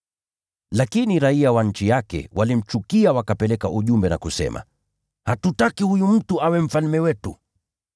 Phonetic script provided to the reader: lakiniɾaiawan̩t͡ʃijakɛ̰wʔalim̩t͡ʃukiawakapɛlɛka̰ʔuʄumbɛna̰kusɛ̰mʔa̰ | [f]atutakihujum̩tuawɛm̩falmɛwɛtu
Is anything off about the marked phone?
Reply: yes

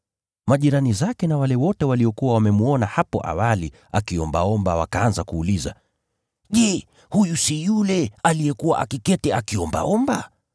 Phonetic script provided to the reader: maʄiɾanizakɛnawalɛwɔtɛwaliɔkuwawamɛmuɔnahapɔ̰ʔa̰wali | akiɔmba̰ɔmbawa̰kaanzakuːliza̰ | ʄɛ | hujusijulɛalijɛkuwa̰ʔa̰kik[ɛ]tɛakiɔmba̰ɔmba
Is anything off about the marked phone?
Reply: no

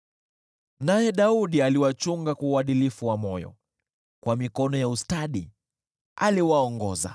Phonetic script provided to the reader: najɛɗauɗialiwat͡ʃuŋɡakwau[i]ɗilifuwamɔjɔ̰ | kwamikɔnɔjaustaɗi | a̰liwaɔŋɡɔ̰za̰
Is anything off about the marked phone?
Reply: yes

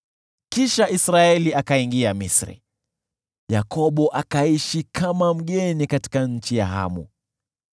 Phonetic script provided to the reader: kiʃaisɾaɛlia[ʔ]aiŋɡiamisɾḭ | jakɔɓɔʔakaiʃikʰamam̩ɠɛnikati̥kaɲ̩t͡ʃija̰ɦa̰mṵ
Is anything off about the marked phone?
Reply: yes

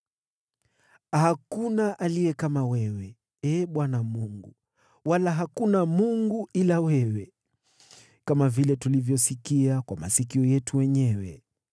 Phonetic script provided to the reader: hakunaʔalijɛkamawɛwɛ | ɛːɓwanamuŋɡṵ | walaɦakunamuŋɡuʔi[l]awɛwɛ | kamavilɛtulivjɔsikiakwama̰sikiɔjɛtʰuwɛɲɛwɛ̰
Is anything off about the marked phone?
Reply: no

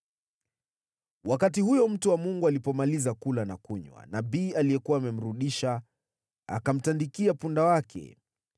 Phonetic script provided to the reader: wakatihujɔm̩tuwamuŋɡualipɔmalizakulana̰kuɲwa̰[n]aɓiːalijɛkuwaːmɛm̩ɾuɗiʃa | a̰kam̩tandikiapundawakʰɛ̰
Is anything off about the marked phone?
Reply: no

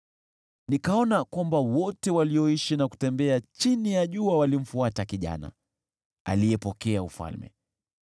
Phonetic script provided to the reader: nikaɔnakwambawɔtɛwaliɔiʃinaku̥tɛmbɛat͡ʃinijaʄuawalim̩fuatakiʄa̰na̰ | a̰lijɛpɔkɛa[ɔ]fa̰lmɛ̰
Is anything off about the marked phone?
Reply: yes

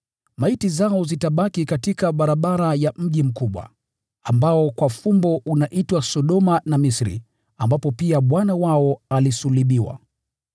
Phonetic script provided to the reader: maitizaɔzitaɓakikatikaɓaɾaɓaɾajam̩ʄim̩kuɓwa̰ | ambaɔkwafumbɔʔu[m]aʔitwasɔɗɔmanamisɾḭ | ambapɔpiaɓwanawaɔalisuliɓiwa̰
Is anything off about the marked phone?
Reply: yes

